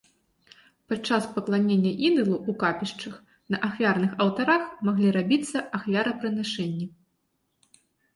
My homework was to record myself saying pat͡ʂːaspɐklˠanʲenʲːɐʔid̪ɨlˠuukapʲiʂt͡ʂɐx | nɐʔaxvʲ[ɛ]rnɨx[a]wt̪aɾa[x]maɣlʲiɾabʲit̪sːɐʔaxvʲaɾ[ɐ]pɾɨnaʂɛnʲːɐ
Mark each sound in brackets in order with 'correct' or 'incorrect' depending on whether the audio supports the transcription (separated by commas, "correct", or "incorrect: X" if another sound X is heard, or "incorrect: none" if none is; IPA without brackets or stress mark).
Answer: incorrect: a, incorrect: ɐ, correct, correct